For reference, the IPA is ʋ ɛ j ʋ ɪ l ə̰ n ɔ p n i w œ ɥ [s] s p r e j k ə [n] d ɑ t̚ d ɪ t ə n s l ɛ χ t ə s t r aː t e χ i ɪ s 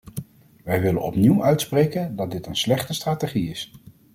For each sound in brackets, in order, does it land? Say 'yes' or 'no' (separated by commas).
no, yes